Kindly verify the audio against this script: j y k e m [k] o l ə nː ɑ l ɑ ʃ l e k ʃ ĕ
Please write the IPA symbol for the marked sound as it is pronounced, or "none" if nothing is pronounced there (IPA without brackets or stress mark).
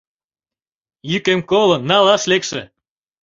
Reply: k